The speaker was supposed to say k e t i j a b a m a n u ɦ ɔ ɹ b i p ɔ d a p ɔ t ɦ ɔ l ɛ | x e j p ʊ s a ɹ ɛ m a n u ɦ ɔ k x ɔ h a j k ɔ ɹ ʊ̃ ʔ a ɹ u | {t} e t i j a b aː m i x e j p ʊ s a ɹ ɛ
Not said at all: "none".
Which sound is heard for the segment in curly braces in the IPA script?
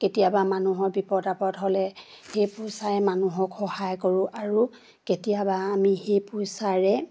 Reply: k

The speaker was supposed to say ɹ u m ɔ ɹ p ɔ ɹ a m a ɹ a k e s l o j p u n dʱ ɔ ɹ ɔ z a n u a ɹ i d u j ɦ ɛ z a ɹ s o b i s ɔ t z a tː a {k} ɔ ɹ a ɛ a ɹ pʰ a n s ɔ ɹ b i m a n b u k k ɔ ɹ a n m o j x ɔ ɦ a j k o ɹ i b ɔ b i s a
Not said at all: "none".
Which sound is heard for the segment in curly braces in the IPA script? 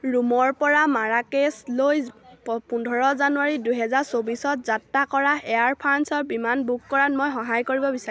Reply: k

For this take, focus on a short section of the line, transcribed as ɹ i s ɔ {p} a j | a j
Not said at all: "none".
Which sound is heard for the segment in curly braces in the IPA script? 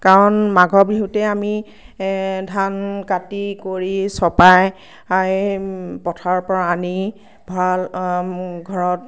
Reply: p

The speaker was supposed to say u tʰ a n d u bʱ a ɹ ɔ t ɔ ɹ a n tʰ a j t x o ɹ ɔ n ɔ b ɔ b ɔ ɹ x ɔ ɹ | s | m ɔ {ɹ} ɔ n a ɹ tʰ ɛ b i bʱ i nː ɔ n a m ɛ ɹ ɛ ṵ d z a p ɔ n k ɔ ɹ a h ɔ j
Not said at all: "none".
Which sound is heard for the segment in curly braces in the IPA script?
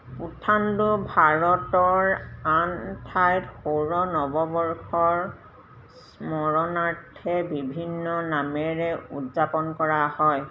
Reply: ɹ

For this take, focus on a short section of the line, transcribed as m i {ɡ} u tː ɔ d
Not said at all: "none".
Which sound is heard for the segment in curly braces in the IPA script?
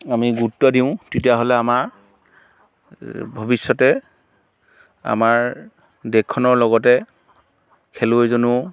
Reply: ɡ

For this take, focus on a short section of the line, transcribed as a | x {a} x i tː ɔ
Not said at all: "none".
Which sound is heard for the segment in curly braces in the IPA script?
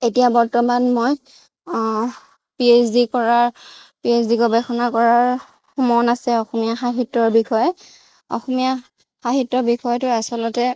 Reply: a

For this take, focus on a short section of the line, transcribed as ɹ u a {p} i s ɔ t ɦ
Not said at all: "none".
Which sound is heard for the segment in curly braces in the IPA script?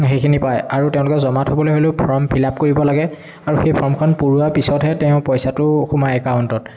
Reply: p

